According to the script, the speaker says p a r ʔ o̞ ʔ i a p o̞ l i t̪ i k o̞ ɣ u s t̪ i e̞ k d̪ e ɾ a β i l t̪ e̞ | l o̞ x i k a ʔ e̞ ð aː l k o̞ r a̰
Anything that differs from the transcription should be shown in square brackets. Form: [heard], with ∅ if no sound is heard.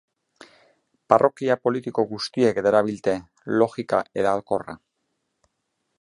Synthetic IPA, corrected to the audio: p a r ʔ o̞ [k] i a p o̞ l i t̪ i k o̞ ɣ u s t̪ i e̞ k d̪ e ɾ a β i l t̪ e̞ | l o̞ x i k a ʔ e̞ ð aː l k o̞ r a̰